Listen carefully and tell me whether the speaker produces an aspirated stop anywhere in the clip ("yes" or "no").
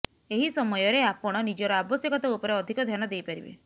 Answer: no